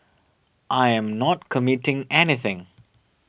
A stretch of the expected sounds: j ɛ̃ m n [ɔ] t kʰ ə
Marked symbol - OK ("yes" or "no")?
yes